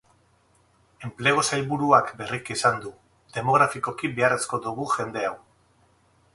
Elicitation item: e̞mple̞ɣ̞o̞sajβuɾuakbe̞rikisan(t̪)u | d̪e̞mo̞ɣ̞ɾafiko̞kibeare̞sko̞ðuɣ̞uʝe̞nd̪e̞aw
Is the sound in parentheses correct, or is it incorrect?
incorrect